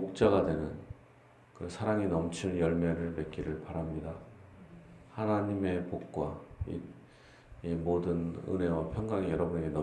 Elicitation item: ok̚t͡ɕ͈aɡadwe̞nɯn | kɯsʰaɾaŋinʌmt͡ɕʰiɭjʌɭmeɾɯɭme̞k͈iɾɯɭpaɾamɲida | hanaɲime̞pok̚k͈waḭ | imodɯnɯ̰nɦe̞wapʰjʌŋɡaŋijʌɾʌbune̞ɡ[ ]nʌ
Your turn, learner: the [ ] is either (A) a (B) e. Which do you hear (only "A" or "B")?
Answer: B